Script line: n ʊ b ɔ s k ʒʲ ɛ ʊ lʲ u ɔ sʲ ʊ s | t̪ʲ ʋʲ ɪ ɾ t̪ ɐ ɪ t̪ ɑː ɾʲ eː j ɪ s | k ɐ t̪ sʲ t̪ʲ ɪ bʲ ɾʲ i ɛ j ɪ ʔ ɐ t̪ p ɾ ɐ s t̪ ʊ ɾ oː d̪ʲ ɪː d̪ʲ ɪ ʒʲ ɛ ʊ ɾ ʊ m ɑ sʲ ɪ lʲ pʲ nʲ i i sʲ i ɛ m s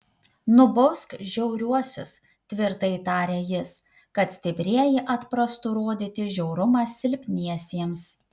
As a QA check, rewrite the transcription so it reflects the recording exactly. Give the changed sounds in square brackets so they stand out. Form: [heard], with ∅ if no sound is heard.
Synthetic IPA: n ʊ b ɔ s k ʒʲ ɛ ʊ [ɾʲ] u ɔ sʲ ʊ s | t̪ʲ ʋʲ ɪ ɾ t̪ ɐ ɪ t̪ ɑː ɾʲ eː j ɪ s | k ɐ t̪ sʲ t̪ʲ ɪ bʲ ɾʲ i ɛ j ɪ ʔ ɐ t̪ p ɾ ɐ s t̪ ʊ ɾ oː d̪ʲ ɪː [t̪ʲ] ɪ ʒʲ ɛ ʊ ɾ ʊ m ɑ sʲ ɪ lʲ pʲ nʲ i [ɛ] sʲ i ɛ m s

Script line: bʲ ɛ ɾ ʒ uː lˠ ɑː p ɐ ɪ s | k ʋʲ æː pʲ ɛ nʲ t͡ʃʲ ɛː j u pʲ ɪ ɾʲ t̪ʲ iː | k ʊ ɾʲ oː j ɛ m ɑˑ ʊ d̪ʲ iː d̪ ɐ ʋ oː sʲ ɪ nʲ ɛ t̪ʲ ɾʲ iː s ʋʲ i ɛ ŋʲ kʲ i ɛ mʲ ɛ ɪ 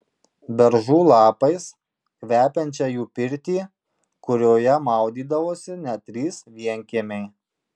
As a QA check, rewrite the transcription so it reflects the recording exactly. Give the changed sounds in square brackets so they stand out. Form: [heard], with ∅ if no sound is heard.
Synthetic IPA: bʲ ɛ ɾ ʒ uː lˠ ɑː p ɐ ɪ s | k ʋʲ æː pʲ ɛ nʲ t͡ʃʲ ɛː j [uː] pʲ ɪ ɾʲ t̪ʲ iː | k ʊ ɾʲ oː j ɛ m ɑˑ ʊ d̪ʲ iː d̪ ɐ ʋ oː sʲ ɪ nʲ ɛ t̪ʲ ɾʲ iː s ʋʲ i ɛ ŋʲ kʲ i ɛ mʲ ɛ ɪ

